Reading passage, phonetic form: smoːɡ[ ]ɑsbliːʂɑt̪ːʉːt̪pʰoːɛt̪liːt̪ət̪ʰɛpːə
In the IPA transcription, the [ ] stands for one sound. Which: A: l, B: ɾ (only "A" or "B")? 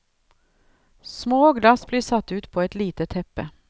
A